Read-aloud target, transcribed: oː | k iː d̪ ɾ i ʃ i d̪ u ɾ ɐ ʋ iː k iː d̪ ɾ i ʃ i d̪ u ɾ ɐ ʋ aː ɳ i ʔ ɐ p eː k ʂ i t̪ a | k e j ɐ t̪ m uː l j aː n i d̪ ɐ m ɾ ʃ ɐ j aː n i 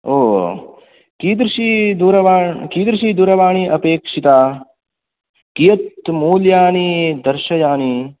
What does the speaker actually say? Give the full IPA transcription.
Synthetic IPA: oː | k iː d̪ ɾ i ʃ i d̪ u ɾ ɐ ʋ aː k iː d̪ ɾ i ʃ i d̪ u ɾ ɐ ʋ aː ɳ i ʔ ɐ p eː k ʂ i t̪ a | k i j ɐ t̪ m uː l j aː n i d̪ ɐ ɾ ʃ ɐ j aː n i